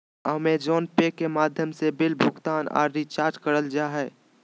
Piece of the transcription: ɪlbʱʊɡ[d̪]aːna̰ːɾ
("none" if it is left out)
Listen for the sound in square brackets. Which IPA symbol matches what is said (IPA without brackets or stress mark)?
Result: t̪